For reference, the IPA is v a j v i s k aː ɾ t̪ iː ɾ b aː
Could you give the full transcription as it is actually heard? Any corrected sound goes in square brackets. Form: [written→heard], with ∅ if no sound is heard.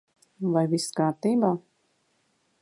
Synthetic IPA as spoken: v a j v i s k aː ɾ t̪ iː [ɾ→∅] b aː